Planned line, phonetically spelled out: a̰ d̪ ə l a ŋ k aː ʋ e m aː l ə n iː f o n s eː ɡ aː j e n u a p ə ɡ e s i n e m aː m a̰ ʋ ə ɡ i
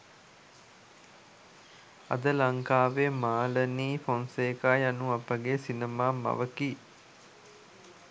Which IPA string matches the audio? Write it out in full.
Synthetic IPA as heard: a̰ d̪ ə l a ŋ k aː ʋ e m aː l ə n iː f o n s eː k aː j a n u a p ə ɡ e s i n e m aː m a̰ ʋ ə k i